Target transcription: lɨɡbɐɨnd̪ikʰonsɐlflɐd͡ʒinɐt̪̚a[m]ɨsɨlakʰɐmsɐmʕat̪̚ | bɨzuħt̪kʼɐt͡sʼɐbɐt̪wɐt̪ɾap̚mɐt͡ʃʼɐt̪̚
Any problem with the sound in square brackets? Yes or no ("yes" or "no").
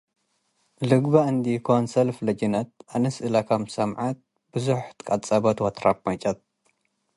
yes